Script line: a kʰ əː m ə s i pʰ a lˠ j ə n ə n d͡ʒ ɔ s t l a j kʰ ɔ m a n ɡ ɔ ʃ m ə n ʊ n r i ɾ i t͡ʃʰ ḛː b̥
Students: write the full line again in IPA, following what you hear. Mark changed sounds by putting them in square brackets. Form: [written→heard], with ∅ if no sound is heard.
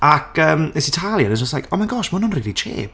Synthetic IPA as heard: a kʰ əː m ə s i [pʰ→tʰ] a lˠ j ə n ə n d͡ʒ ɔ s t l a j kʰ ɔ m a n ɡ ɔ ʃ m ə n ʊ n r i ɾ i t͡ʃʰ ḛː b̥